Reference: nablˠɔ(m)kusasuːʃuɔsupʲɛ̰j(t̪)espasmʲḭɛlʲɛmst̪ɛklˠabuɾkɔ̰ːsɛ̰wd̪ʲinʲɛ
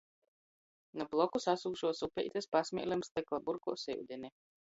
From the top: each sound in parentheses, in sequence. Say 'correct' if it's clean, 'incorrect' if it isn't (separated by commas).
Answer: incorrect, correct